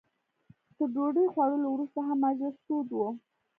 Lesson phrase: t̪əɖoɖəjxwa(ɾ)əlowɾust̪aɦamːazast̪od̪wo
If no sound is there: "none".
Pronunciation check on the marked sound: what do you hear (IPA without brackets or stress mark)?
ɽ